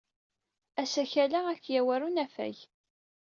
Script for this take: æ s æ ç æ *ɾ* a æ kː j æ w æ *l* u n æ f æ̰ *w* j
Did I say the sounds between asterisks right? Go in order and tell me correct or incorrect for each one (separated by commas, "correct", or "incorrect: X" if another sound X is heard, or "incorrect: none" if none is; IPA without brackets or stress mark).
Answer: incorrect: l, incorrect: ɾ, incorrect: none